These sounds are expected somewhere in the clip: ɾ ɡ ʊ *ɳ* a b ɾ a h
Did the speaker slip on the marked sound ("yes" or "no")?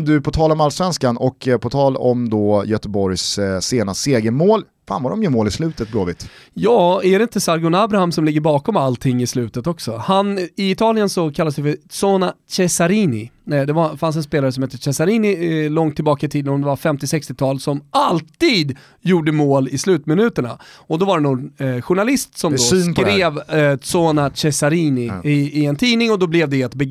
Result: yes